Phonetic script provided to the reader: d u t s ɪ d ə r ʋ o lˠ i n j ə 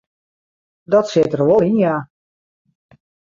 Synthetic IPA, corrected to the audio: d ɔ t s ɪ t ə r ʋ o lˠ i n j a